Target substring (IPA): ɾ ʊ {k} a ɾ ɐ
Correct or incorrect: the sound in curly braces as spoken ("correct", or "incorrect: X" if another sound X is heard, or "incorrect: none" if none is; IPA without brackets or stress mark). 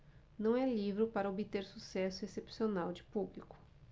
incorrect: p